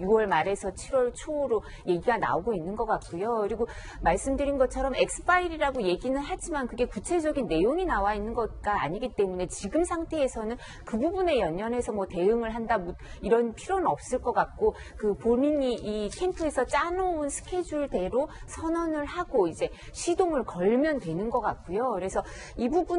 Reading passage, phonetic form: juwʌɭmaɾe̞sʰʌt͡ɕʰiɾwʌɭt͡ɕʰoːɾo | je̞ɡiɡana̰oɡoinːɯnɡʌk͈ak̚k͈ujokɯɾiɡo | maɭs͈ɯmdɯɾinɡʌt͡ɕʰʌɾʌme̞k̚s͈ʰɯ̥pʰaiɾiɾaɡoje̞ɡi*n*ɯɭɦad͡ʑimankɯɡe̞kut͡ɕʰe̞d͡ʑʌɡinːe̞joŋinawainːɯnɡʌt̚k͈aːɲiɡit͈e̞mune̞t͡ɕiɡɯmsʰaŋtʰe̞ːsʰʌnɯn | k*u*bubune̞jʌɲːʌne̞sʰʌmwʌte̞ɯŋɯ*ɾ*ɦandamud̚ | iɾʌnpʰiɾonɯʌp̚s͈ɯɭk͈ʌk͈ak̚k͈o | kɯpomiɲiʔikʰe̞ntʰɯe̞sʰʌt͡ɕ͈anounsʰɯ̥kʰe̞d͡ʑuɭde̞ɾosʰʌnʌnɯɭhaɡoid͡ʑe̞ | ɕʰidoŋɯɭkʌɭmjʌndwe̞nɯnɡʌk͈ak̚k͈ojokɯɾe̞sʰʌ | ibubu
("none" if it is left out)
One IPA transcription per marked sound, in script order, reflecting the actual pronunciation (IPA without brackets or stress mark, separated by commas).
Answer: n, ɯ, ɭ